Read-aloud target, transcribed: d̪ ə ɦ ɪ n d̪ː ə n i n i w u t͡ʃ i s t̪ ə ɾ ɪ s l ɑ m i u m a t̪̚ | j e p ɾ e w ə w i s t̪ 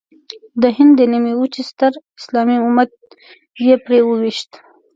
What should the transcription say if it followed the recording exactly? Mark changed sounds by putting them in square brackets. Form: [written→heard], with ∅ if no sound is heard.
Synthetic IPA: d̪ ə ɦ ɪ n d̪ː ə n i [n→m] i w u t͡ʃ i s t̪ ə ɾ ɪ s l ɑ m i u m a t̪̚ | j e p ɾ e w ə w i [s→ʃ] t̪